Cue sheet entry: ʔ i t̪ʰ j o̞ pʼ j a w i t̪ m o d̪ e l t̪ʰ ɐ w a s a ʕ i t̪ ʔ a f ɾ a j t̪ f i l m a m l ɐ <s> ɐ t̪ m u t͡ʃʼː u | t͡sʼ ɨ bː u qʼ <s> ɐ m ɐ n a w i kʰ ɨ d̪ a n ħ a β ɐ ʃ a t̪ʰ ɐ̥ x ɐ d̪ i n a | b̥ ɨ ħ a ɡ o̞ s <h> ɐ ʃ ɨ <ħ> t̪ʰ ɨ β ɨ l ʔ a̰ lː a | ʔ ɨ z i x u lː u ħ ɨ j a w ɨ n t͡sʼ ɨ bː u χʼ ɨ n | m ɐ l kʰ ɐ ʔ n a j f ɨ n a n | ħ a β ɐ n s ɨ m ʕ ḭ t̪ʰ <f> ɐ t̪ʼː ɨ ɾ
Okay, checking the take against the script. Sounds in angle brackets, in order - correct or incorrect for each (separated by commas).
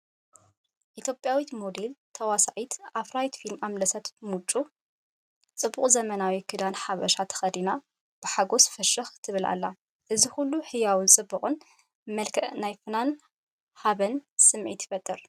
correct, incorrect, incorrect, incorrect, correct